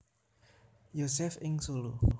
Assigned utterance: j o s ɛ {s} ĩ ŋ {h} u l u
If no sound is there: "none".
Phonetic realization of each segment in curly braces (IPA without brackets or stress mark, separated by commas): f, s